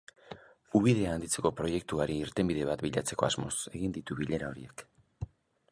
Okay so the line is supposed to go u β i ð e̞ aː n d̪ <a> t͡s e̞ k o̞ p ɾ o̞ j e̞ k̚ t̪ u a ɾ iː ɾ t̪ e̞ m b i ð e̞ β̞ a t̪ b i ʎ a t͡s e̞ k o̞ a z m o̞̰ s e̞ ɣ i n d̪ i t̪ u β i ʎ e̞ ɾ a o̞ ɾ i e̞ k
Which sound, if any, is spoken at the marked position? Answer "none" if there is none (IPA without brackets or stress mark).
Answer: i